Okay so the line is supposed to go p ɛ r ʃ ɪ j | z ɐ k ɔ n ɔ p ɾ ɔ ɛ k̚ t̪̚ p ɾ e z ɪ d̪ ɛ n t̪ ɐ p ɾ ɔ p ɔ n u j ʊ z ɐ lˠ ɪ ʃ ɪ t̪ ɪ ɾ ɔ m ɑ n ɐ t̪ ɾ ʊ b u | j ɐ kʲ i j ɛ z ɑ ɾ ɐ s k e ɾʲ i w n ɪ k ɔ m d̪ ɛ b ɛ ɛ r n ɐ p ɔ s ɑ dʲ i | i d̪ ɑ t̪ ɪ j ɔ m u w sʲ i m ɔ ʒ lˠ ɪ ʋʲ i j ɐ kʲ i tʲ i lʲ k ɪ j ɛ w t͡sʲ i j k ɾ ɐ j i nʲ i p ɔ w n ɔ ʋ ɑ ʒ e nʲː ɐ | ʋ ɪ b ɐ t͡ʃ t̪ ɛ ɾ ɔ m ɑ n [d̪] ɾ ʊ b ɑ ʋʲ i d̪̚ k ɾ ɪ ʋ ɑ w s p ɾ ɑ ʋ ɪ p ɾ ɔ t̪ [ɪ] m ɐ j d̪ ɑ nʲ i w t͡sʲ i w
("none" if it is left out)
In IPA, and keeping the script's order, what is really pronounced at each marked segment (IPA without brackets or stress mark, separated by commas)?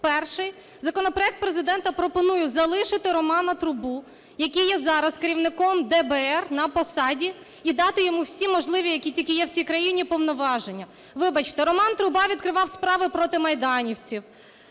t̪, ɪ